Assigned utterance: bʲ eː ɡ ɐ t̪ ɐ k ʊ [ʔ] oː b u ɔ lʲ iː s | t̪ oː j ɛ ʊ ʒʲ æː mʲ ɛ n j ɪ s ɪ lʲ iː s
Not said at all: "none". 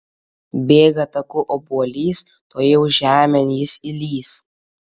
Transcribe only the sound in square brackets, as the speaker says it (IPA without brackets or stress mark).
ʔ